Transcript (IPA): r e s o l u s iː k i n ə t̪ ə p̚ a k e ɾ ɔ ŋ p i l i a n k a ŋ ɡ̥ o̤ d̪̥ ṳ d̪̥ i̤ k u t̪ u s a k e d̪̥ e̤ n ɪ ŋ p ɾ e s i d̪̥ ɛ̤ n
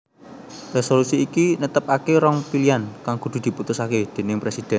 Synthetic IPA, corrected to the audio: r e s o l u s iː k i n ə t̪ ə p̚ a k e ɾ ɔ ŋ p i l i a n k a ŋ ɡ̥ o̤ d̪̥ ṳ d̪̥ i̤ p u t̪ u s a k e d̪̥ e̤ n ɪ ŋ p ɾ e s i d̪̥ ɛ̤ n